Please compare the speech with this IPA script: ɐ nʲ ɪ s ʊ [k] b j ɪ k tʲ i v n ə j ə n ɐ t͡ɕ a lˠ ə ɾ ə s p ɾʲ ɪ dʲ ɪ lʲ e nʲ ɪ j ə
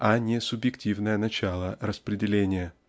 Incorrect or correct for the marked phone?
incorrect: none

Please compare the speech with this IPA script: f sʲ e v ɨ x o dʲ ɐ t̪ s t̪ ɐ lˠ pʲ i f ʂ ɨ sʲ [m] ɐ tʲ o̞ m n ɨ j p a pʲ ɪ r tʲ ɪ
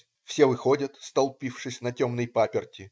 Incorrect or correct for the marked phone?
incorrect: n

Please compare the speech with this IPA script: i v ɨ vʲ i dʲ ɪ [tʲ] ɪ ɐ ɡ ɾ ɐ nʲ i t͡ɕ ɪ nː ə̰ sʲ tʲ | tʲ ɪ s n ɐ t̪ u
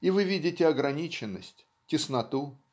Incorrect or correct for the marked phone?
correct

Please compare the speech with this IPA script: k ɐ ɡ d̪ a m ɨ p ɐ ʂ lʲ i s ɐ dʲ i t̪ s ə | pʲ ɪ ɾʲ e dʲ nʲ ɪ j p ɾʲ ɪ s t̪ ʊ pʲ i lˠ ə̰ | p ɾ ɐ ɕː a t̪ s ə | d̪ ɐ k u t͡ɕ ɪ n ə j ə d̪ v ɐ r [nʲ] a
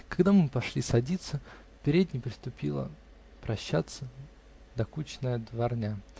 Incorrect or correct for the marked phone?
correct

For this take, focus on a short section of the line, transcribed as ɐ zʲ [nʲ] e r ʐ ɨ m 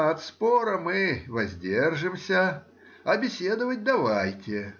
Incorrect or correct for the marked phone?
incorrect: dʲ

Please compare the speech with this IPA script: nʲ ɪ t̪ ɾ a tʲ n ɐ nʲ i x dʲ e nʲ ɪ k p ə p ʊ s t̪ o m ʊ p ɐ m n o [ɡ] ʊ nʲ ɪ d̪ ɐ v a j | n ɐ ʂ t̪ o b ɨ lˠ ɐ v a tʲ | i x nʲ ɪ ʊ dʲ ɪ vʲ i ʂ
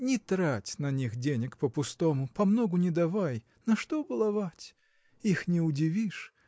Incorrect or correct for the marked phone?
correct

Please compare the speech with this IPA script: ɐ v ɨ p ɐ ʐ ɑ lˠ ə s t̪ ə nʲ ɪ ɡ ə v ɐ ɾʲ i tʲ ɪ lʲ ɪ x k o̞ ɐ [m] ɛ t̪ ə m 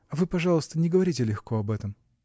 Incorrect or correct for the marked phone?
incorrect: b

